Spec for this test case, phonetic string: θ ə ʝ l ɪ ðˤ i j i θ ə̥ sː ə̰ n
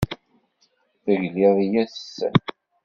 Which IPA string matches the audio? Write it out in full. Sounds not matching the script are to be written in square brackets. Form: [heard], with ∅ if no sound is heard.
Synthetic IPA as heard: θ ə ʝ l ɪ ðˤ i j [æ] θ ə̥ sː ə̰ n